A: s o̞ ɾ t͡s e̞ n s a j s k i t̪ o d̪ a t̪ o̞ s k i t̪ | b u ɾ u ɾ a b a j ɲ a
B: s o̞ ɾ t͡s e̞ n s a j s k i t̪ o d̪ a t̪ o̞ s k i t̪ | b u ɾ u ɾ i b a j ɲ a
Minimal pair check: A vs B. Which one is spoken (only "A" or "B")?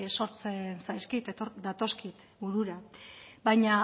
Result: A